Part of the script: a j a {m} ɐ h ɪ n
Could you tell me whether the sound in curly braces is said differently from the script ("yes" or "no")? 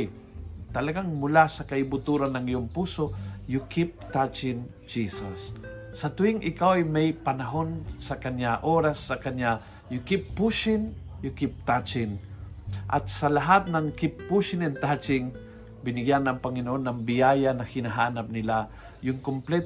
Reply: yes